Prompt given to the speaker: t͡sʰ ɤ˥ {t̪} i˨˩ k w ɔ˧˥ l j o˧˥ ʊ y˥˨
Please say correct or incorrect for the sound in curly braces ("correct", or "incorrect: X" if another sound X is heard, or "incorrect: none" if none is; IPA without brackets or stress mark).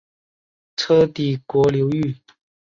correct